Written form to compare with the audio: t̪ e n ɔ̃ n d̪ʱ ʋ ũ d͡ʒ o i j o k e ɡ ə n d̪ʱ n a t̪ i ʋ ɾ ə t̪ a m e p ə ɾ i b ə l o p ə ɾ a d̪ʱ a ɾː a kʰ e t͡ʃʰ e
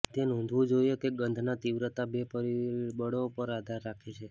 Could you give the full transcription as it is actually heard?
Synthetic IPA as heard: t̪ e n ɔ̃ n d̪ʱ ʋ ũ d͡ʒ o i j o k e ɡ ə n d̪ʱ n a t̪ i ʋ ɾ ə t̪ a b e p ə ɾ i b ə ɽ o p ə ɾ a d̪ʱ a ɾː a kʰ e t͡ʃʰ e